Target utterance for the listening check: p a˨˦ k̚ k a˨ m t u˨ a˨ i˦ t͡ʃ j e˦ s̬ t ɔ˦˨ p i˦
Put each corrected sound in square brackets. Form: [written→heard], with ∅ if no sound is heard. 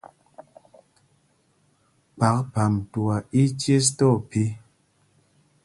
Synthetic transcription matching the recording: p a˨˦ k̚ [k→p] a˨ m t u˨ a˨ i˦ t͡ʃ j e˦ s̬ t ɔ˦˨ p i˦